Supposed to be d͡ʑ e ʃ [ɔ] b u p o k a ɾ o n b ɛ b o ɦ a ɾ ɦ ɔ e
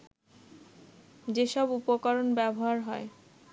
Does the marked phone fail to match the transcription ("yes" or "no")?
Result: no